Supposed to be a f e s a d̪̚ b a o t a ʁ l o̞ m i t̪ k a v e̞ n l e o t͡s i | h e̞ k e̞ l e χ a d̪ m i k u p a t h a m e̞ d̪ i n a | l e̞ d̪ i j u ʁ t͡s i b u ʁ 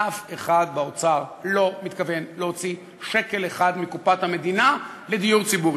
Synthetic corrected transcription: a f e χ a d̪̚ b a o t͡s a ʁ l o̞ m i t̪ k a v e̞ n l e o t͡s i | ʃ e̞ k e̞ l e χ a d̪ m i k u p a t h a m e̞ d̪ i n a | l e̞ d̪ i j u ʁ t͡s i b u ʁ